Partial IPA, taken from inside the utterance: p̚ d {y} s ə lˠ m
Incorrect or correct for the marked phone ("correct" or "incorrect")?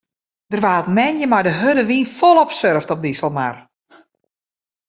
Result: incorrect